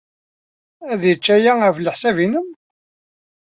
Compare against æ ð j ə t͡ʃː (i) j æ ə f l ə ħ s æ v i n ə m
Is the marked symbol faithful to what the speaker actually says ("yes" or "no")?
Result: no